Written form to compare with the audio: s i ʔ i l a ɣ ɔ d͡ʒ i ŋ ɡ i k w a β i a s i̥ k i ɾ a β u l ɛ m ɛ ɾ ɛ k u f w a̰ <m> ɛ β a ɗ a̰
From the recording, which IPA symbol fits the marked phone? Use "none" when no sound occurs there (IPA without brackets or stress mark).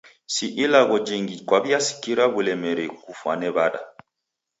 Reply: n